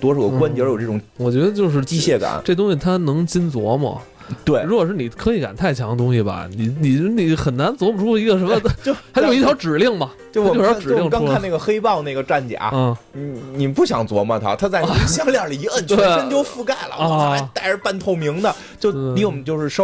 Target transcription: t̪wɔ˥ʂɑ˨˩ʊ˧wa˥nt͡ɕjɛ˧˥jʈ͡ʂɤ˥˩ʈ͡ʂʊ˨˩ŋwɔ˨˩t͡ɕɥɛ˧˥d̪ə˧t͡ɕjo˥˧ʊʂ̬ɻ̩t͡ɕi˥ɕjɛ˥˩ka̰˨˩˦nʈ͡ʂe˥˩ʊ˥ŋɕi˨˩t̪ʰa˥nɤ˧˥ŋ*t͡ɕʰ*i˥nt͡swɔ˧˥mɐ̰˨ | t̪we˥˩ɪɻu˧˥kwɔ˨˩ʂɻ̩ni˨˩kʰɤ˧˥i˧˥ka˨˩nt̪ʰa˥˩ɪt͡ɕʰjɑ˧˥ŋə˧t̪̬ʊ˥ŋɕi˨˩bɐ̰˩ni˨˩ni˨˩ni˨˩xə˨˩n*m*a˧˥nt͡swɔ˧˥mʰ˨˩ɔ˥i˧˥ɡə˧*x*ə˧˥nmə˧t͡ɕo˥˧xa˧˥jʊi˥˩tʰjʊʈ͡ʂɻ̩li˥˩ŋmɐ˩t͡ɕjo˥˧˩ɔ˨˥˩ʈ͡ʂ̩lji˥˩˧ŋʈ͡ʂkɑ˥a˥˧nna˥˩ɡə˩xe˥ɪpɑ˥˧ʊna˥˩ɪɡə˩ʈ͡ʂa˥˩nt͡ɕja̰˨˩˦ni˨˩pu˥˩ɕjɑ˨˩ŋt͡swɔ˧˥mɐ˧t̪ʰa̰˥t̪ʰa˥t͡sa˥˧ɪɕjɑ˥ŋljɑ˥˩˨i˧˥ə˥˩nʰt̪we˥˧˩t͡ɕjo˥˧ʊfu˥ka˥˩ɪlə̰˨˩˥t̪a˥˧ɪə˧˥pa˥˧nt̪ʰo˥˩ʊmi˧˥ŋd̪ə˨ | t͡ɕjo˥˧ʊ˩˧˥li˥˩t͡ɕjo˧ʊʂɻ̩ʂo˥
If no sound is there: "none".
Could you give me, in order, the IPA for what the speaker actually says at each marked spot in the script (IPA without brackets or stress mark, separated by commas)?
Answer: t͡ɕ, n, ʂ